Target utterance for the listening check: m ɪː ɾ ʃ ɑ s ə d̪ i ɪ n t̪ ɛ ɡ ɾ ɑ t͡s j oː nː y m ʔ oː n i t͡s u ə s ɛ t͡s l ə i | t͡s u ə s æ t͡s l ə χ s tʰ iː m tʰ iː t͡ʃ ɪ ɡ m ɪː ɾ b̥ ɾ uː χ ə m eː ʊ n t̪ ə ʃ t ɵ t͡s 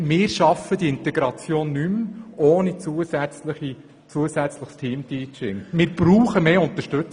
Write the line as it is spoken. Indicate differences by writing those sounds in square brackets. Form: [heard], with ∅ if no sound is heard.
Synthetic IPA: m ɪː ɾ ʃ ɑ [f] ə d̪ i ɪ n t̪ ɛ ɡ ɾ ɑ t͡s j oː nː y m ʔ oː n i t͡s u ə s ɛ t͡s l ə i | t͡s u ə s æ t͡s l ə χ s tʰ iː m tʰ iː t͡ʃ ɪ [ŋ] m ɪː ɾ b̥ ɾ uː χ ə m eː ʊ n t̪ ə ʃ t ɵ t͡s